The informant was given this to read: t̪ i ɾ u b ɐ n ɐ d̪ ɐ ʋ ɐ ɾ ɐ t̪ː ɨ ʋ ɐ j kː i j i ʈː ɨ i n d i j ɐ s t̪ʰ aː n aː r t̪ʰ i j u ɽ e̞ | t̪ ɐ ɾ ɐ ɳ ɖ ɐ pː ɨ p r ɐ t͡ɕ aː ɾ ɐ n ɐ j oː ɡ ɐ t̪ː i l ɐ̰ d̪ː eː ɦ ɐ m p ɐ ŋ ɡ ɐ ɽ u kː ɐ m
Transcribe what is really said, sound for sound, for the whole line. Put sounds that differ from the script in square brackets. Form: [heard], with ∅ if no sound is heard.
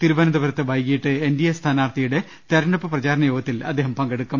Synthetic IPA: t̪ i ɾ u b ɐ n ɐ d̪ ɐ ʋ ɐ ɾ ɐ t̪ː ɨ ʋ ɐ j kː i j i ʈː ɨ [e] n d i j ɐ s t̪ʰ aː n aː r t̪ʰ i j u ɽ e̞ | t̪ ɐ ɾ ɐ ɳ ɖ ɐ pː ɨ p r ɐ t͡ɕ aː ɾ ɐ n ɐ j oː ɡ ɐ t̪ː i l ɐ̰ d̪ː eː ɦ ɐ m p ɐ ŋ ɡ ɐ ɽ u kː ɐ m